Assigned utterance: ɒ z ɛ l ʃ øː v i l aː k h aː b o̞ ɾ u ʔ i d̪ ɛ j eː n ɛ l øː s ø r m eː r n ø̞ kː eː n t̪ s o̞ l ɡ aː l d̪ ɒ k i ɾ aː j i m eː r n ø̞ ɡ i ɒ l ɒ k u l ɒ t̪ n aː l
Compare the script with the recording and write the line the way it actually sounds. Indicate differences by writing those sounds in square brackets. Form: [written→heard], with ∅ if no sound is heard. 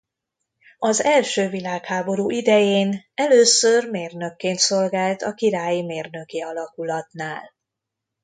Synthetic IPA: ɒ z ɛ l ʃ øː v i l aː k h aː b o̞ ɾ u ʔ i d̪ ɛ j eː n ɛ l øː s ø r m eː r n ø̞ kː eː n t̪ s o̞ l ɡ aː l [d̪→t̪] ɒ k i ɾ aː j i m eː r n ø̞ [ɡ→k] i ɒ l ɒ k u l ɒ t̪ n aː l